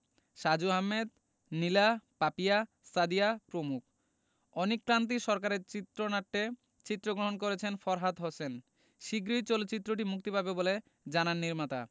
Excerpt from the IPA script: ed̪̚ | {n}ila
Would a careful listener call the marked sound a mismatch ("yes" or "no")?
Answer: no